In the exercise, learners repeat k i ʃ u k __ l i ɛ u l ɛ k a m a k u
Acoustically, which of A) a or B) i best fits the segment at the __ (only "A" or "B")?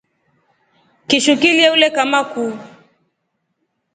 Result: B